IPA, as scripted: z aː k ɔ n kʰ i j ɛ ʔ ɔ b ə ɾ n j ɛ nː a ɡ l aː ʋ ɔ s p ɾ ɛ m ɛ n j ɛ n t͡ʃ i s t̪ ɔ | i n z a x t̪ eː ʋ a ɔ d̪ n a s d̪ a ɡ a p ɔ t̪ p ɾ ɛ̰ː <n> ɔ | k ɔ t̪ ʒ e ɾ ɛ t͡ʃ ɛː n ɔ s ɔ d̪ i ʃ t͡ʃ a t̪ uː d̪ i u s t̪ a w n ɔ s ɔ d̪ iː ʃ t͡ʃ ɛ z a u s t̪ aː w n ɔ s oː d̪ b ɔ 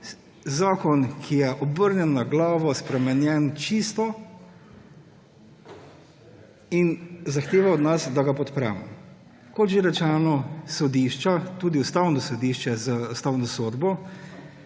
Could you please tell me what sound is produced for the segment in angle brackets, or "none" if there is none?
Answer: m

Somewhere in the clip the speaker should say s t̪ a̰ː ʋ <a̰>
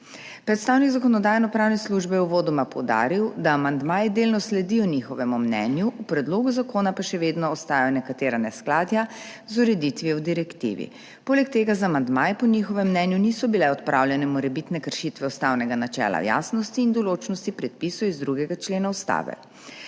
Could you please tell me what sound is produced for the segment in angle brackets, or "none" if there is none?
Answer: ɛ̰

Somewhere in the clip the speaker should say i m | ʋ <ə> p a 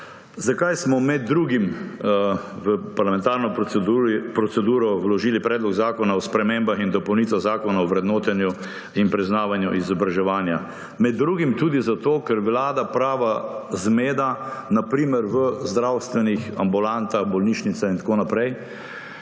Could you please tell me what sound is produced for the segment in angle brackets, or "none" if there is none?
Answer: ə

